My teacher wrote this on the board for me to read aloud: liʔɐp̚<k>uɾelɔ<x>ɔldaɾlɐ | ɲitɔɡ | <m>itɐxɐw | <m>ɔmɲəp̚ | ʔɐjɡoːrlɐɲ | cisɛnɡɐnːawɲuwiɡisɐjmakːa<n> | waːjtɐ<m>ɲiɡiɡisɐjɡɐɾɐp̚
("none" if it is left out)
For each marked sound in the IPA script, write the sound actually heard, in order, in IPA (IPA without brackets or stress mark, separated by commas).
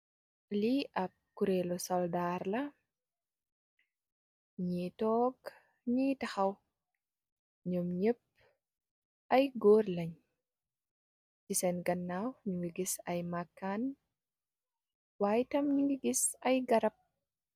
k, s, ɲ, ɲ, n, m